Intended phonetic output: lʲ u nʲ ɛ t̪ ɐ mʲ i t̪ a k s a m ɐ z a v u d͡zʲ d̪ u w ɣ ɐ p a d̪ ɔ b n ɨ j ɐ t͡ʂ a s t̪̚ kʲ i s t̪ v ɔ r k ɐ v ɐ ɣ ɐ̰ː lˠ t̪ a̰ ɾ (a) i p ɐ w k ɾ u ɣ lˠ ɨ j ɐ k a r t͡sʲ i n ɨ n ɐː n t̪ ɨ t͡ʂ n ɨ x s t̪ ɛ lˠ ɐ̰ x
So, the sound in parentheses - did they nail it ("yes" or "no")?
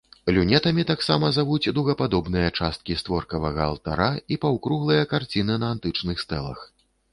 yes